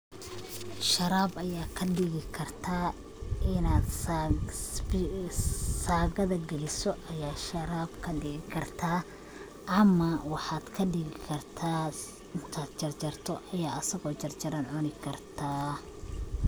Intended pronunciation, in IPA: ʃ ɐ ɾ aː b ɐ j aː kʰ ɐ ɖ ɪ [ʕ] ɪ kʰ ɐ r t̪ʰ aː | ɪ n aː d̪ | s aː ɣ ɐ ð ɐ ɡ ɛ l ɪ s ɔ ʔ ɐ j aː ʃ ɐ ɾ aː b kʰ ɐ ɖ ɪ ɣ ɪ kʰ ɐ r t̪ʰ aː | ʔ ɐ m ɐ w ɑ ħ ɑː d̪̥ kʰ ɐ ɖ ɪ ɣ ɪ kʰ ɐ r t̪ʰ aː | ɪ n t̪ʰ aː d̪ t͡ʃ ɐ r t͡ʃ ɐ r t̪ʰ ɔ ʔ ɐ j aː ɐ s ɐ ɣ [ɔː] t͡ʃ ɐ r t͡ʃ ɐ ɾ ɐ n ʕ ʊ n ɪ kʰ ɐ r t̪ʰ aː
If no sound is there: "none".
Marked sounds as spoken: ɣ, ɔː

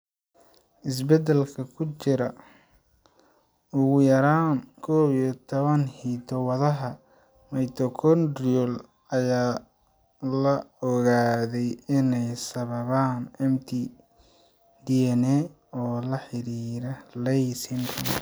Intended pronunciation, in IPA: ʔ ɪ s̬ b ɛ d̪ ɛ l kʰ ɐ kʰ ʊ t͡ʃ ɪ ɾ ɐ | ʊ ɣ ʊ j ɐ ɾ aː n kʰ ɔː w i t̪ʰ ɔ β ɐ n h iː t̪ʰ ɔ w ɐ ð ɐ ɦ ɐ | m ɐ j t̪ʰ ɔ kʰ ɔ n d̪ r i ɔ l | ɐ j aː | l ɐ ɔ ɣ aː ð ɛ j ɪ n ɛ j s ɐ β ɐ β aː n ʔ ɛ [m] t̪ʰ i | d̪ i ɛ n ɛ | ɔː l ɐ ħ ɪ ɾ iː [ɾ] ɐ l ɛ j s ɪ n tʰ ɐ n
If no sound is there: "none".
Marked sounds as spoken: m, ɾ

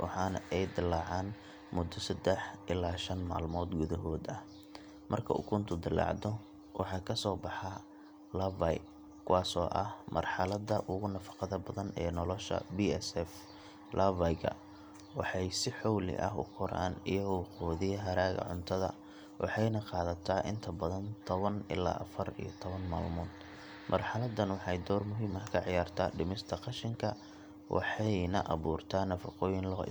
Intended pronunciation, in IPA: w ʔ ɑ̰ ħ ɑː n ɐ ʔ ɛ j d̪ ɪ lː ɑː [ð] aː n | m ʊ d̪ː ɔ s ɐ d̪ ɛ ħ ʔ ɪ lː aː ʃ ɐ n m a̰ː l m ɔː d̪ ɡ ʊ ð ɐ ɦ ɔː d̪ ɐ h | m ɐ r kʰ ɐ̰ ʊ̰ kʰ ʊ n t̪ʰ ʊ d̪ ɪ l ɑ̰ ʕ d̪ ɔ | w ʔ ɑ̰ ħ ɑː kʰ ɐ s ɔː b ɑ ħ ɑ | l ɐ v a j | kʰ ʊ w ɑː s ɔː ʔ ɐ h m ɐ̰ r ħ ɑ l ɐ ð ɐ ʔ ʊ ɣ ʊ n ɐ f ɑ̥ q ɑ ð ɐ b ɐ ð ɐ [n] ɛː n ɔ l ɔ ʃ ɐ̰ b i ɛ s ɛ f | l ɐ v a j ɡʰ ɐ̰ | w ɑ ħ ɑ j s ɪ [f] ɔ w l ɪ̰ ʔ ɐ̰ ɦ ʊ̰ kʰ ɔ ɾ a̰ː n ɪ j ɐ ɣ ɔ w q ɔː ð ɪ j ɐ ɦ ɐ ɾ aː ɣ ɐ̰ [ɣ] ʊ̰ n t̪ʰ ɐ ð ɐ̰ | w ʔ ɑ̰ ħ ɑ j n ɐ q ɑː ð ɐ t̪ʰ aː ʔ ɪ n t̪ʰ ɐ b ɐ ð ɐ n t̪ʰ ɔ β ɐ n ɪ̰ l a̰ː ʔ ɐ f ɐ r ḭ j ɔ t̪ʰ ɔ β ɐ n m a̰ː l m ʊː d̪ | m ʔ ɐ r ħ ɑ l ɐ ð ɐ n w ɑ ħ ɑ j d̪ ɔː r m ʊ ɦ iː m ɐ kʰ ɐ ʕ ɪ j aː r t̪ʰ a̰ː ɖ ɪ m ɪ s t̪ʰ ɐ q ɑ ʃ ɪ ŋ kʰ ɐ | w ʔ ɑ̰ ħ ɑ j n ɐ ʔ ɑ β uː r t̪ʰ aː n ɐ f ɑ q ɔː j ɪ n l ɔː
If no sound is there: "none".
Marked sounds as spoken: ʕ, n, ħ, ʕ

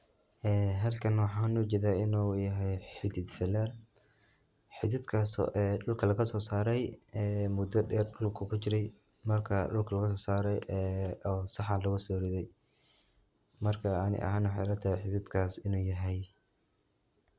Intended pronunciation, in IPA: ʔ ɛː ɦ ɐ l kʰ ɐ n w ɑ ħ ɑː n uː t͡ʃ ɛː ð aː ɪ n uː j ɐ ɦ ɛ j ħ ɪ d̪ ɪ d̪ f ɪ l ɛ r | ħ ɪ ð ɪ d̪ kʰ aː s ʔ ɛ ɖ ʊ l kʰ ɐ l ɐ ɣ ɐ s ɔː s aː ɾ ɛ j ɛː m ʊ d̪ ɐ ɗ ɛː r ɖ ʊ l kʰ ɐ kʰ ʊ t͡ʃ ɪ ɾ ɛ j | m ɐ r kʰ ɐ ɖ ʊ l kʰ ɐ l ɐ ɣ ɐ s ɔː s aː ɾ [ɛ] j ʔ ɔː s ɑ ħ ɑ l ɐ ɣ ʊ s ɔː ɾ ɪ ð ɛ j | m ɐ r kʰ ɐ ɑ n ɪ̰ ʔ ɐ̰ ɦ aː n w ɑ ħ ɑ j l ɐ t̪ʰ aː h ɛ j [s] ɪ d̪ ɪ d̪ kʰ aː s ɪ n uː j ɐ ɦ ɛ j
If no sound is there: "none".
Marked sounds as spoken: ɛ, ħ

